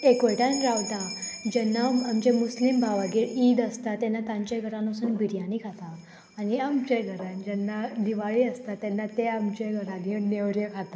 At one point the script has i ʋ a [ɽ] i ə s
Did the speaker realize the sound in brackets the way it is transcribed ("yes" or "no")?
no